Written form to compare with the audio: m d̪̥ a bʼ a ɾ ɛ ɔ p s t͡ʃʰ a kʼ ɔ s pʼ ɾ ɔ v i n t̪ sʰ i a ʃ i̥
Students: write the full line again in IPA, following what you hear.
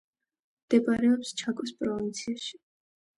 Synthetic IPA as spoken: m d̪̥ ɛ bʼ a ɾ ɛ ɔ p s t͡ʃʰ a kʼ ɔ s pʼ ɾ ɔ v i n t̪ sʰ i a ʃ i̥